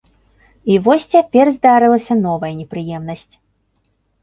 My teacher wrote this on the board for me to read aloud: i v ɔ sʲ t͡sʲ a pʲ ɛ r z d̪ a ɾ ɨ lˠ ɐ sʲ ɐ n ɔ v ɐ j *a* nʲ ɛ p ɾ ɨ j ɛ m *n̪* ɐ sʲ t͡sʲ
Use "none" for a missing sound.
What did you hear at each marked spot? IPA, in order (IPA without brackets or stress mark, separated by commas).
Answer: ɐ, n̪